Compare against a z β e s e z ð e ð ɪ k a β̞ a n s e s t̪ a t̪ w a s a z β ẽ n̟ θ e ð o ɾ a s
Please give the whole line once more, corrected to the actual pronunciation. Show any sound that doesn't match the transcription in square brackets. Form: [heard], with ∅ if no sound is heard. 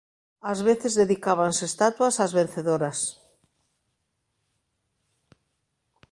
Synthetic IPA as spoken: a z β e [θ] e z ð e ð [i] k a β̞ a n s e s t̪ a t̪ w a s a z β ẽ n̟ θ e ð o ɾ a s